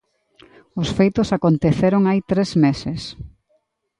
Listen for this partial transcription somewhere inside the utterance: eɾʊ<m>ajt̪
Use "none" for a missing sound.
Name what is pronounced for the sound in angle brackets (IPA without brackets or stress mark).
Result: ŋ